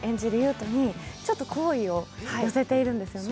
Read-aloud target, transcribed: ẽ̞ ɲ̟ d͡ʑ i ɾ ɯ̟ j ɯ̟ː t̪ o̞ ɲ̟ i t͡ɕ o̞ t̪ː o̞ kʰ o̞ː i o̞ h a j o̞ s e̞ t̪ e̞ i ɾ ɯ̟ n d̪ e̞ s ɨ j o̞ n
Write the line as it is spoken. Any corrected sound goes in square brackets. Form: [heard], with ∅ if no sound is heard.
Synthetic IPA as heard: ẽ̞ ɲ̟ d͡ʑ i ɾ ɯ̟ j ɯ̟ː t̪ o̞ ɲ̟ i t͡ɕ o̞ t̪ː o̞ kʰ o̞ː i o̞ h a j o̞ s e̞ t̪ e̞ i ɾ [ɯ̟̃] n d̪ e̞ s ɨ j o̞ n